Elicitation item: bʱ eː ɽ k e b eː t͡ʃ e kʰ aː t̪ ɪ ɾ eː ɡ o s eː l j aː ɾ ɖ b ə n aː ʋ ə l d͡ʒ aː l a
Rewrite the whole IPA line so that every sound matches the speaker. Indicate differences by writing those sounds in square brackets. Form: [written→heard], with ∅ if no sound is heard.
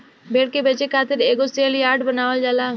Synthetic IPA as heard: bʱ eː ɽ k e b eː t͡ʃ e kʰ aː t̪ ɪ ɾ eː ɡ o s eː l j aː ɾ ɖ b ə n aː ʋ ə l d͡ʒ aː l a